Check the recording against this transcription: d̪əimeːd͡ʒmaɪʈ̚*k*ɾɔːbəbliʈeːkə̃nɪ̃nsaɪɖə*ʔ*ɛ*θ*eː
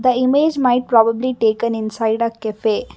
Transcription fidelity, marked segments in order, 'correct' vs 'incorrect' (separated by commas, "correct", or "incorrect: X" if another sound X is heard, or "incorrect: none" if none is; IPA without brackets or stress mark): incorrect: p, incorrect: k, incorrect: f